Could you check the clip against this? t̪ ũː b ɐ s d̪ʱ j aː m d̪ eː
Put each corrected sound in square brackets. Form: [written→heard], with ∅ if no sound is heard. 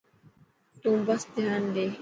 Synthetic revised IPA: t̪ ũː b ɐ s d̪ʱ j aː [m→n] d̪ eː